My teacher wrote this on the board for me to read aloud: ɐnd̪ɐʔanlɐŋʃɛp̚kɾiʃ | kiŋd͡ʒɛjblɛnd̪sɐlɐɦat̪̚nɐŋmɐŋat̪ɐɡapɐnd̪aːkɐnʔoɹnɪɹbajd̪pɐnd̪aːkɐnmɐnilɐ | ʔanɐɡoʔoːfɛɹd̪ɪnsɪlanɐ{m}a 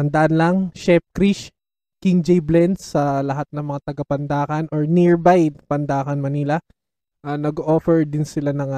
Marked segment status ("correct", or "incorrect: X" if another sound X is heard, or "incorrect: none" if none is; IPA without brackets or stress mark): incorrect: ŋ